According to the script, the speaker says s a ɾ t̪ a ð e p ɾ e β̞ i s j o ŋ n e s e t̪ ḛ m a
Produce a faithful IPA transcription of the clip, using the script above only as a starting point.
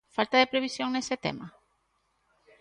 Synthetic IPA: f a l t̪ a ð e p ɾ e β̞ i s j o ŋ n e s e t̪ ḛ m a